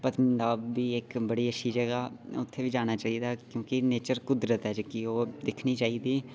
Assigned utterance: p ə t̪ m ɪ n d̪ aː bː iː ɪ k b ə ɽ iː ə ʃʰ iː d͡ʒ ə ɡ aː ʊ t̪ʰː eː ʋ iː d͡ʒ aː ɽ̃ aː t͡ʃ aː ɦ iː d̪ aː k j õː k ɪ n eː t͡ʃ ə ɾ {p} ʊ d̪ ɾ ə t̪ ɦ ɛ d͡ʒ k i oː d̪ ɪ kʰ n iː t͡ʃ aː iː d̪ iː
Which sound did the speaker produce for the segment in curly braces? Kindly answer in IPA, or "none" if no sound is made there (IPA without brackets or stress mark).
k